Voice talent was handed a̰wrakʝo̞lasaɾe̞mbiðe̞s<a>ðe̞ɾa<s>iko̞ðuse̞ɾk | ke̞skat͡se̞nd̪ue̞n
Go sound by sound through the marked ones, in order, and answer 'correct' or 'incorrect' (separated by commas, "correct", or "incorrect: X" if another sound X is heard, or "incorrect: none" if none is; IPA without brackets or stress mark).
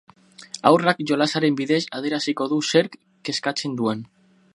correct, correct